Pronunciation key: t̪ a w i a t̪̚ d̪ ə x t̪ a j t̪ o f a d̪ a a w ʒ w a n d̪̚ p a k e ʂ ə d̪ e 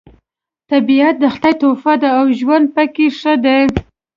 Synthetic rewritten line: t̪ a b i a t̪̚ d̪ ə x t̪ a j t̪ o f a d̪ a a w ʒ w a n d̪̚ p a k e ʂ ə d̪ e